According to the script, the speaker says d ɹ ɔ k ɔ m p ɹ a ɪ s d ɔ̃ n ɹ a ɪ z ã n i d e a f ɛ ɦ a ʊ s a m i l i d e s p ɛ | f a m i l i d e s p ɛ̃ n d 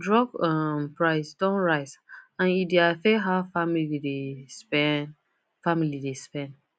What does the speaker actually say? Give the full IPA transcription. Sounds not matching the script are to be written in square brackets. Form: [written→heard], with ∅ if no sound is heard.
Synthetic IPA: d ɹ ɔ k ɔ m p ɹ a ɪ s d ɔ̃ n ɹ a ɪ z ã n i d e a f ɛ ɦ a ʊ [s→f] a m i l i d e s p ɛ | f a m i l i d e s p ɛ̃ n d

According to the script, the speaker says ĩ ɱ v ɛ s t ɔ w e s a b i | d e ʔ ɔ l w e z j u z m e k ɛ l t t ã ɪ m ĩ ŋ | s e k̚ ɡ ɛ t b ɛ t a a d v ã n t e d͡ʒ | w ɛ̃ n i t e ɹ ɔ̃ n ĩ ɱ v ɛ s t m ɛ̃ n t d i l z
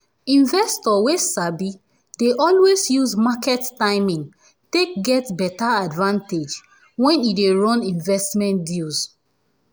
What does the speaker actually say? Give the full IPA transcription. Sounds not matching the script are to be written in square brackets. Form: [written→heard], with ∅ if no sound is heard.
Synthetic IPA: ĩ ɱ v ɛ s t ɔ w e s a b i | d e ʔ ɔ l w e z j u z m [e→a] k ɛ [l→∅] t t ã ɪ m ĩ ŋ | [s→t] e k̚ ɡ ɛ t b ɛ t a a d v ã n t e d͡ʒ | w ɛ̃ n i [t→d] e ɹ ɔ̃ n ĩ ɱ v ɛ s t m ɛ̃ n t d i l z

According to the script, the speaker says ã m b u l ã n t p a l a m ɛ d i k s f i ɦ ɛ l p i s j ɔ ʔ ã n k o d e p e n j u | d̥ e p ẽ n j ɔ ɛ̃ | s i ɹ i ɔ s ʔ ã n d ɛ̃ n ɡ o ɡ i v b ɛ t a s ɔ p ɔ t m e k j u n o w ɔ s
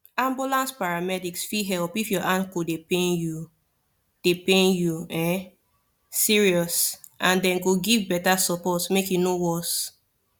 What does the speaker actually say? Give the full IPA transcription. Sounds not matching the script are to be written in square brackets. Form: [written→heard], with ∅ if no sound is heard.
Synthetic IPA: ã m b u l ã n [t→s] p a [l→ɹ] a m ɛ d i k s f i ɦ ɛ l p i [s→f] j ɔ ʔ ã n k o d e p e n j u | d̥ e p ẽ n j [ɔ→u] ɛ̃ | s i ɹ i ɔ s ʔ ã n d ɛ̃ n ɡ o ɡ i v b ɛ t a s ɔ p ɔ t m e k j u n o w ɔ s

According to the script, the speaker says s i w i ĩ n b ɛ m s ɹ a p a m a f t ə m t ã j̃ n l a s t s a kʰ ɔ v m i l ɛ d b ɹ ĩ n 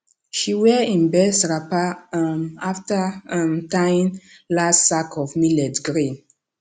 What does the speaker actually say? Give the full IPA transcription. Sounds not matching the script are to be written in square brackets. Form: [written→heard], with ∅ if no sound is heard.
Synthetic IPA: [s→ʃ] i w [i→ɛ] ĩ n b ɛ [m→∅] s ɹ a p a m a f t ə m t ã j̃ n l a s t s a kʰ ɔ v m i l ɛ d [b→ɡ] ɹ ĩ n

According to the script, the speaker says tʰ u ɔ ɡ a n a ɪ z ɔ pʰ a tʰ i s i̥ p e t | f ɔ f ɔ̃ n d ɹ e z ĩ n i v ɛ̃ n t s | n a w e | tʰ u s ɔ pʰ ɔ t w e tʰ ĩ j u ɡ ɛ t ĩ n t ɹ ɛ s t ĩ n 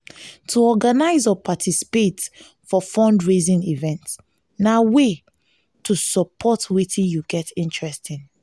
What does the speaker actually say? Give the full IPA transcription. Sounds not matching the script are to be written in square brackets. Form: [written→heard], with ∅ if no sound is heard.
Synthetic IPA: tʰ u ɔ ɡ a n a ɪ z ɔ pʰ a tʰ i s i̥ p e t | f ɔ f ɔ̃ n d ɹ e z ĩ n i v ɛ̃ n t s | n a w e | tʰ u s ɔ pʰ ɔ t w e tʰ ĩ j u ɡ ɛ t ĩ n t ɹ ɛ s t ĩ n

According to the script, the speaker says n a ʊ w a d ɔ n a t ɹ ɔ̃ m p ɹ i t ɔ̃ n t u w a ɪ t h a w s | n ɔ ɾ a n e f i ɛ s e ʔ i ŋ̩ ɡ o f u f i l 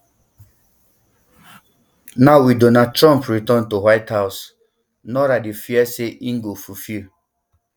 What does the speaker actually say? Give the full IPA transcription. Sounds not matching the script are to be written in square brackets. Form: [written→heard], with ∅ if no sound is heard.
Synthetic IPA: n a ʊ w [a→i] d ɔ n a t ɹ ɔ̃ m p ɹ i t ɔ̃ n t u w a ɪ t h a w s | n ɔ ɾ a [n→d] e f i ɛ s e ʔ i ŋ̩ ɡ o f u f i l

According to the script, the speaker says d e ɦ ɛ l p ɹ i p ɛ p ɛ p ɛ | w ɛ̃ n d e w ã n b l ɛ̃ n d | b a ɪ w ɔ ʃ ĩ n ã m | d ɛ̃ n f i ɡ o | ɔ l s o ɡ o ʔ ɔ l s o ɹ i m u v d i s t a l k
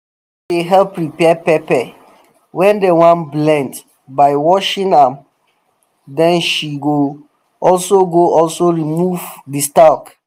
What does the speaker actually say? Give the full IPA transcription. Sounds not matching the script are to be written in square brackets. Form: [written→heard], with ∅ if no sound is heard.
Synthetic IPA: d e ɦ ɛ l p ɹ i p ɛ p ɛ p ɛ | w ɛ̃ n d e w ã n b l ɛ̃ n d | b a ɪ w ɔ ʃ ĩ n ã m | d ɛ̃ n [f→ʃ] i ɡ o | ɔ l s o ɡ o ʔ ɔ l s o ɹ i m u v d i s t a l k

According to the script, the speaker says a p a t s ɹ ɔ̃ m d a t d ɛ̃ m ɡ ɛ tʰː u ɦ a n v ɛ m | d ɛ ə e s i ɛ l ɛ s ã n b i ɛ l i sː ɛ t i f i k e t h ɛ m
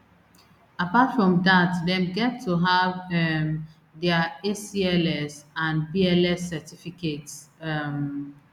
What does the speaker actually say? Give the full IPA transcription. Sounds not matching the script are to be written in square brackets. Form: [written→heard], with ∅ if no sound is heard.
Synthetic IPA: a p a t [s→f] ɹ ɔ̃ m d a t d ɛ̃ m ɡ ɛ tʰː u ɦ a [n→∅] v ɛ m | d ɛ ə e s i ɛ l ɛ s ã n b i ɛ l [i→ɛ] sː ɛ t i f i k e t [h→s] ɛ m

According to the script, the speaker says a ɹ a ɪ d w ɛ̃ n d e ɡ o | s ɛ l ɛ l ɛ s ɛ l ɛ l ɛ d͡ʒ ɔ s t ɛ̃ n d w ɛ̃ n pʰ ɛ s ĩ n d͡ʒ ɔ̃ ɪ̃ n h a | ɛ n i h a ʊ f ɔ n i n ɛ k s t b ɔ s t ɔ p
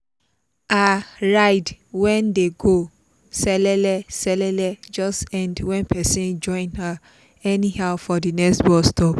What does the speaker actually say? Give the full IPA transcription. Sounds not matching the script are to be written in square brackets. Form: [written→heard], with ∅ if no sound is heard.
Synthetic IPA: a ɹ a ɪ d w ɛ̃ n d e ɡ o | s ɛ l ɛ l ɛ s ɛ l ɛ l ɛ d͡ʒ ɔ s t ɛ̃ n d w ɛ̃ n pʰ ɛ s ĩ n d͡ʒ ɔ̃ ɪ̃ n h a | ɛ n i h a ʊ f ɔ [n→d] i n ɛ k s t b ɔ s t ɔ p

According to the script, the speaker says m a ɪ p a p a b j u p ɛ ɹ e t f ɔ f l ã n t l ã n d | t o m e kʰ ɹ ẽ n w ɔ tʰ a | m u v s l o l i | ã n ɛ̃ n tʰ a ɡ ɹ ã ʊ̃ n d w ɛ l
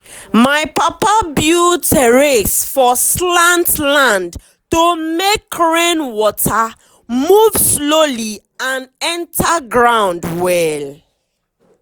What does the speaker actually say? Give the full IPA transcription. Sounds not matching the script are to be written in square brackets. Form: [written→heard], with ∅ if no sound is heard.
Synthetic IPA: m a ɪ p a p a b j u [p→t] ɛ ɹ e [t→s] f ɔ [f→s] l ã n t l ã n d | t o m e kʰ ɹ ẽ n w ɔ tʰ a | m u v s l o l i | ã n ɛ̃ n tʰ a ɡ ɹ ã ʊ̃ n d w ɛ l

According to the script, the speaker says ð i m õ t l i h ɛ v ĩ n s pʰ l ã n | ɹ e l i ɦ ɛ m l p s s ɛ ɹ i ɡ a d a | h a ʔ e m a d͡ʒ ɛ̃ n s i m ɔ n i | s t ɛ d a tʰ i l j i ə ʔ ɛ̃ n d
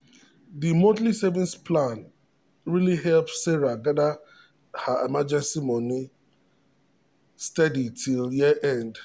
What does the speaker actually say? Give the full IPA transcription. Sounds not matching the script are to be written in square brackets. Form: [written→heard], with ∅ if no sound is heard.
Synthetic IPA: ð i m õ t l i [h→s] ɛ v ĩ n s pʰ l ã n | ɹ [e→i] l i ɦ ɛ [m→∅] l p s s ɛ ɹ [i→a] ɡ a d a | h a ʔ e m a d͡ʒ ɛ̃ n s i m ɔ n i | s t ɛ d [a→i] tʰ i l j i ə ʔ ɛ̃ n d

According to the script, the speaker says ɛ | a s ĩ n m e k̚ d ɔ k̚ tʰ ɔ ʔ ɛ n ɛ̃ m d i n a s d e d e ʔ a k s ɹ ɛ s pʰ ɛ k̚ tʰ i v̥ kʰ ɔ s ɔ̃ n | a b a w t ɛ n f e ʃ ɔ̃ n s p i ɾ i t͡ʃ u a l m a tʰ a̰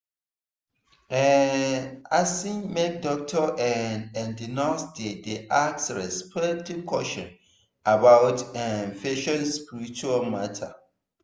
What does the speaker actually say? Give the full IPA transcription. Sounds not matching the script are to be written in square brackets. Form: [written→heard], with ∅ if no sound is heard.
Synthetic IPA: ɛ | a s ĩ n m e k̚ d ɔ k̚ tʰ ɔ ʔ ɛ n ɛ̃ [m→n] d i n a s d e d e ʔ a k s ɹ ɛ s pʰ ɛ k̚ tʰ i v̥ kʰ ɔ [s→ʃ] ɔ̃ n | a b a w t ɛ n f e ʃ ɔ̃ n s p i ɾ i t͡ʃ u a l m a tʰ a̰

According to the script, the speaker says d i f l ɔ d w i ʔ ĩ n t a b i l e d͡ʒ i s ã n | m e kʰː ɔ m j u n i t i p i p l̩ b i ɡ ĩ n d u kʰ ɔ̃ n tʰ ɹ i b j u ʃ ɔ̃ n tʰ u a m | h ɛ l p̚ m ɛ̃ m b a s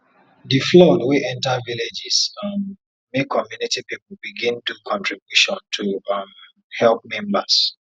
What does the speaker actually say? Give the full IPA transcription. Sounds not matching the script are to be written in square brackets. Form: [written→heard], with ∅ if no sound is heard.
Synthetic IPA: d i f l ɔ d w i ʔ [ĩ→ɛ̃] n t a [b→v] i l e d͡ʒ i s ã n | m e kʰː ɔ m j u n i t i p i p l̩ b i ɡ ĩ n d u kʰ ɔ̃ n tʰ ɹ i b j u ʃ ɔ̃ n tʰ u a m | h ɛ l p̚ m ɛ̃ m b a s

